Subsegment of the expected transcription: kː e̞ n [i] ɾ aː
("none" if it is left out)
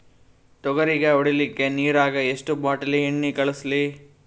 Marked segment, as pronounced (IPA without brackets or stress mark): iː